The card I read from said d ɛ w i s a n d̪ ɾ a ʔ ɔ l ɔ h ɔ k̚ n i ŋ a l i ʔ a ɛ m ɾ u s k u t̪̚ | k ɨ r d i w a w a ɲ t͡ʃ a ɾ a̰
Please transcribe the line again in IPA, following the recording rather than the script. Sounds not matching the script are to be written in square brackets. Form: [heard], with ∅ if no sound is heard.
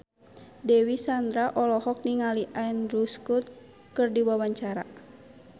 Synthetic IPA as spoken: d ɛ w i s a n d̪ ɾ a ʔ ɔ l ɔ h ɔ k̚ n i ŋ a l i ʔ a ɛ [n] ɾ u s k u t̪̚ | k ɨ r d i w a w a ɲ t͡ʃ a ɾ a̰